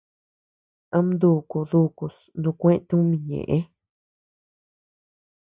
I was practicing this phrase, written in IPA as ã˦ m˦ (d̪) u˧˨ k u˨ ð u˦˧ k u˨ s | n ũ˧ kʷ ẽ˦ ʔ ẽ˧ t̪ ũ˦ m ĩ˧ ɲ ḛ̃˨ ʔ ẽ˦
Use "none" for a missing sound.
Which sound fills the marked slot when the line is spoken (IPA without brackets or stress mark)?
d̪